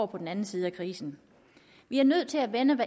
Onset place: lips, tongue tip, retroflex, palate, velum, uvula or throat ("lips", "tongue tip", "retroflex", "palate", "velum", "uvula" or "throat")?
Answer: lips